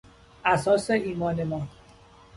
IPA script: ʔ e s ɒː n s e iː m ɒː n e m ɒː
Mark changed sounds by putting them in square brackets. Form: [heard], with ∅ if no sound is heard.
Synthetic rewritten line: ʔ [æ] s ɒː [∅] s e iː m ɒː n e m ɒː